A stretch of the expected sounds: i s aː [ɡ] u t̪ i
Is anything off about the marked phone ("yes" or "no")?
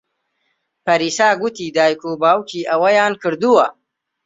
no